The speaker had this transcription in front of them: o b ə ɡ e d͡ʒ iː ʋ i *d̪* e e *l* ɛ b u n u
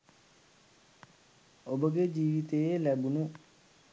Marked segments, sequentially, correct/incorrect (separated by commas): incorrect, correct